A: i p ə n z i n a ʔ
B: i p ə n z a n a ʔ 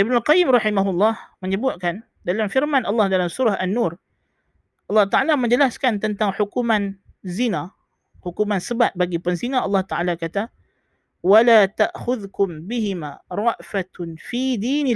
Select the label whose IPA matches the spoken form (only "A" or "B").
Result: A